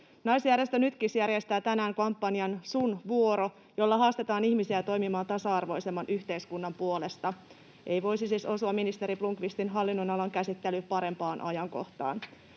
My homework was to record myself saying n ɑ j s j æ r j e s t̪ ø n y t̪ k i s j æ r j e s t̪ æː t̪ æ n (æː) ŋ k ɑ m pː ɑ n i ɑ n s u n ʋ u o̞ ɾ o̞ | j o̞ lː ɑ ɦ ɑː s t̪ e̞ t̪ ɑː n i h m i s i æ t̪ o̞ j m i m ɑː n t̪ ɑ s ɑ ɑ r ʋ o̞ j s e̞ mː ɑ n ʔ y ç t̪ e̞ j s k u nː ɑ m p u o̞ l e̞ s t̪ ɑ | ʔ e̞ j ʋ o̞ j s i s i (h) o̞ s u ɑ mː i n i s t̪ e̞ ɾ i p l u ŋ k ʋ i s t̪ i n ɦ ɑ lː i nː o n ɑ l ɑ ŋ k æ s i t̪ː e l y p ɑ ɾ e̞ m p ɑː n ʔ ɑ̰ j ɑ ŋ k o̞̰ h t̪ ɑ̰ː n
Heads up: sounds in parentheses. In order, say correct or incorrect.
correct, incorrect

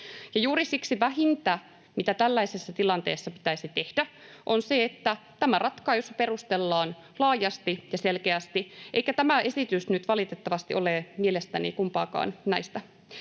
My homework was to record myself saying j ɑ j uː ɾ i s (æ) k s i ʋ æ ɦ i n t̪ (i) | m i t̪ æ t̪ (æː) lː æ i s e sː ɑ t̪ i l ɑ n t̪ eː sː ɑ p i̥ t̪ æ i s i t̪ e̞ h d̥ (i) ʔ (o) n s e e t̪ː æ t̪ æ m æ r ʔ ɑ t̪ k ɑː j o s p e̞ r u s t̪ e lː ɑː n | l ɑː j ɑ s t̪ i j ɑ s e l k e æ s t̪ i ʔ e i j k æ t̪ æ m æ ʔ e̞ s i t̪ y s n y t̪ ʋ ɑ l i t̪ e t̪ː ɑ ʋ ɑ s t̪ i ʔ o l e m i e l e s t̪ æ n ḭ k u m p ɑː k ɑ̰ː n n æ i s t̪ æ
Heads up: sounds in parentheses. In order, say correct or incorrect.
incorrect, incorrect, incorrect, incorrect, correct

